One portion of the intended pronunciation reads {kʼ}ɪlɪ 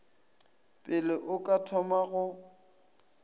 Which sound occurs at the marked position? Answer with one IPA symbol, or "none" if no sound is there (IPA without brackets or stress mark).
pʼ